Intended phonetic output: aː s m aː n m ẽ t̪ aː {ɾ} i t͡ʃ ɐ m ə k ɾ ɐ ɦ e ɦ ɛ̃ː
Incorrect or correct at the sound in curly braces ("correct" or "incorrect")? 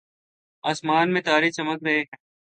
correct